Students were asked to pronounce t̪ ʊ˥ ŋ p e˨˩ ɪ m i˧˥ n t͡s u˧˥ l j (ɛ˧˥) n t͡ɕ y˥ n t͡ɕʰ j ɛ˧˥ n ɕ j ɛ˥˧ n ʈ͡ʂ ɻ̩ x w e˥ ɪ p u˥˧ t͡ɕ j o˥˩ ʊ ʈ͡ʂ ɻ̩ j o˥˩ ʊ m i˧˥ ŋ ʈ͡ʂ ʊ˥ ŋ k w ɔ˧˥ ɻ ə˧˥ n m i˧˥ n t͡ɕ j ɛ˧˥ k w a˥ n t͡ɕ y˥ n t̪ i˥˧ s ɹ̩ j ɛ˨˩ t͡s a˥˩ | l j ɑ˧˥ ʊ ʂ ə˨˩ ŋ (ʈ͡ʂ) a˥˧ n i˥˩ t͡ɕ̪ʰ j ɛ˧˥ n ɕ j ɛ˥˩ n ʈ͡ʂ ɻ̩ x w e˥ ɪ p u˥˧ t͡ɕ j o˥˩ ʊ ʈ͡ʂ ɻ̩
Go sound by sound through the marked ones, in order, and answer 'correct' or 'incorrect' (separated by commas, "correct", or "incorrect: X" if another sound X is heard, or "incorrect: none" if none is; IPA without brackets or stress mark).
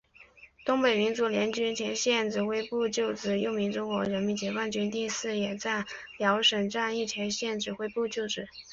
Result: correct, correct